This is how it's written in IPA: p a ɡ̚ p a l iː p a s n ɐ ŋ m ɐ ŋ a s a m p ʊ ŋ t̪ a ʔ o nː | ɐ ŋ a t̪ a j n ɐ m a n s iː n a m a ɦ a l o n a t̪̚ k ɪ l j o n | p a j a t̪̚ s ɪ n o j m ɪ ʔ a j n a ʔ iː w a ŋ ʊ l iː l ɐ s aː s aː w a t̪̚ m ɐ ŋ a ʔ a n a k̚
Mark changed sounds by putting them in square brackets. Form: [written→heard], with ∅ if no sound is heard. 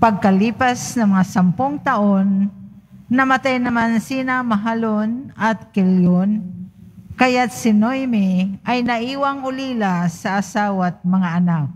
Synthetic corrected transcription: p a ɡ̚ [p→k] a l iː p a s n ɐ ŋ m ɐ ŋ a s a m p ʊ ŋ t̪ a ʔ o nː | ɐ [ŋ→m] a t̪ a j n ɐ m a n s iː n a m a ɦ a l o n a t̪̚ k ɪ l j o n | [p→k] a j a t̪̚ s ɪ n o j m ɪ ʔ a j n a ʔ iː w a ŋ ʊ l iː l [ɐ→a] s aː s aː w a t̪̚ m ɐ ŋ a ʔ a n a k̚